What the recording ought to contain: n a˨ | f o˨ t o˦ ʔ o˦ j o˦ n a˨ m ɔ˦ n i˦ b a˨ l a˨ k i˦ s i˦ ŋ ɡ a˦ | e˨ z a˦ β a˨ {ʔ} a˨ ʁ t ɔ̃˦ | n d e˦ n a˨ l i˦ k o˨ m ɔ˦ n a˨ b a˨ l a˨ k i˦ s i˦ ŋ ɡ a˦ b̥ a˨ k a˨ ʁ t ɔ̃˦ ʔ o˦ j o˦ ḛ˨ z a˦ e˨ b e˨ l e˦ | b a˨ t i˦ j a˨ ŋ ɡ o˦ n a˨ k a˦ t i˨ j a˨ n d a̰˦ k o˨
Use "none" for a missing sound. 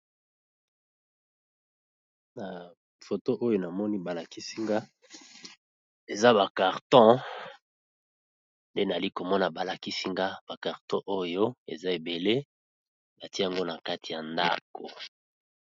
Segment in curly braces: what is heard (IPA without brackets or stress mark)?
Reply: k